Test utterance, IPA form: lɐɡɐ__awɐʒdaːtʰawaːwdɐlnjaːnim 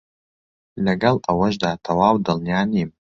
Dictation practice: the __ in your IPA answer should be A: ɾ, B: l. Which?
B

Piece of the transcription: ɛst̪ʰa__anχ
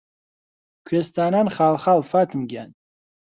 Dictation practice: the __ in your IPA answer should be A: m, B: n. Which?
B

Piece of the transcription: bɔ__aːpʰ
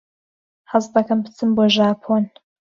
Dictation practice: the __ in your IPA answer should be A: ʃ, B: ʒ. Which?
B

